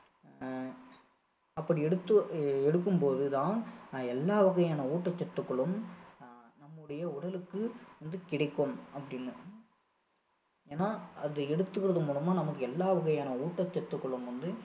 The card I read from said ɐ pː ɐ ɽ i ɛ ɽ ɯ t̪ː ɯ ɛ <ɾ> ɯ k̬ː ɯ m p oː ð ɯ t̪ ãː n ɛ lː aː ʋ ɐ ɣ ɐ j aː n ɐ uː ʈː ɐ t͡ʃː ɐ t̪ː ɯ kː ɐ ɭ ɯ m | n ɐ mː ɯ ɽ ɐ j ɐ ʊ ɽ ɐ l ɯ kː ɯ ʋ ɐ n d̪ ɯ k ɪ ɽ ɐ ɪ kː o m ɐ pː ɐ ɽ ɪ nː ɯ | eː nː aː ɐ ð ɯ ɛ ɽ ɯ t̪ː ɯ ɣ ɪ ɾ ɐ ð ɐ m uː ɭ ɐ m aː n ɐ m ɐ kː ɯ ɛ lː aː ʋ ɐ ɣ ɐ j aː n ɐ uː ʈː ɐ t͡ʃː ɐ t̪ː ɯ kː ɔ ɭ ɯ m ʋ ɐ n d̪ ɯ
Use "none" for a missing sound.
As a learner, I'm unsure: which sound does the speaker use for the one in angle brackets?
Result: ɽ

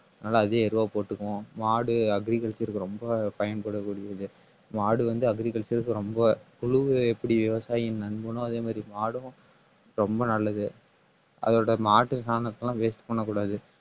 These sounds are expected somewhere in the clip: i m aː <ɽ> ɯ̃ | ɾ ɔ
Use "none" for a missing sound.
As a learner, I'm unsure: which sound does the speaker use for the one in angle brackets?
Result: ɽ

